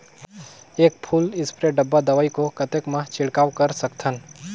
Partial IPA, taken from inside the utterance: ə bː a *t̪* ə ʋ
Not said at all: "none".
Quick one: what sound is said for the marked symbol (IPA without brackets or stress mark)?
d̪